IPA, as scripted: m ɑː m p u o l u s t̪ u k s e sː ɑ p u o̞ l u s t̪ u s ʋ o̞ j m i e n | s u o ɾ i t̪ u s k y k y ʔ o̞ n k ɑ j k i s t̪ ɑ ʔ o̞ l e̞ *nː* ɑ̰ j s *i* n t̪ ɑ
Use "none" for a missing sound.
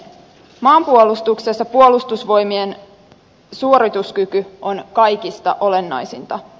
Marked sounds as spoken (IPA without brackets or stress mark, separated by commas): nː, i